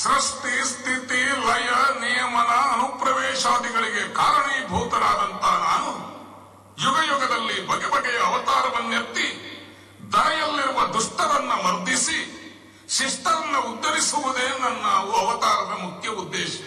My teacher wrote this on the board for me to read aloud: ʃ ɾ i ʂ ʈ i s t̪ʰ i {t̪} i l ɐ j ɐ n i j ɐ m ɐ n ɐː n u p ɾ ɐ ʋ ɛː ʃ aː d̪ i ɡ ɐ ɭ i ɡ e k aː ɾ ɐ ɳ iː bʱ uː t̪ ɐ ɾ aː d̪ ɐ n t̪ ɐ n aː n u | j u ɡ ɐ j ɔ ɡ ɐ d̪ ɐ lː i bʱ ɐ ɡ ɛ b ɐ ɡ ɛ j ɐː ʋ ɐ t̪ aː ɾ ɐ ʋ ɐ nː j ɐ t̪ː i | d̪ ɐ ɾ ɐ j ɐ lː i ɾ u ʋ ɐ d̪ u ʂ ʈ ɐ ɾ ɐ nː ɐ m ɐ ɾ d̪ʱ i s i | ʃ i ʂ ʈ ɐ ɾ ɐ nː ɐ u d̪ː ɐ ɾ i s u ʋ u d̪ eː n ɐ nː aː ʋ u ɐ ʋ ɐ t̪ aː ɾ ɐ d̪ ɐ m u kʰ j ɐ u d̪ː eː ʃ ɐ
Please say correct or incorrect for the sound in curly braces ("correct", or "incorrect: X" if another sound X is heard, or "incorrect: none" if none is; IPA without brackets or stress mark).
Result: correct